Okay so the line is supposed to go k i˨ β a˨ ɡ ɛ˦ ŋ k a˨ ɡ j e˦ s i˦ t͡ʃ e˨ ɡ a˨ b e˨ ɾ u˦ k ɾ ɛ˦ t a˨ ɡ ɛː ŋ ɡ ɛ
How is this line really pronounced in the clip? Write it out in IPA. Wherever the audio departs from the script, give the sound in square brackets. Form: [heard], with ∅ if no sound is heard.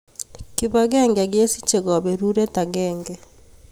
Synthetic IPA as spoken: k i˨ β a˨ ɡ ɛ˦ ŋ [ɡ] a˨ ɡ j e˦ s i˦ t͡ʃ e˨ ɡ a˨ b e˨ ɾ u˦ [∅] ɾ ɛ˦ t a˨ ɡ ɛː ŋ ɡ ɛ